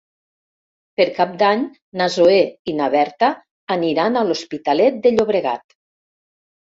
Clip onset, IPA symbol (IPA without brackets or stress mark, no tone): p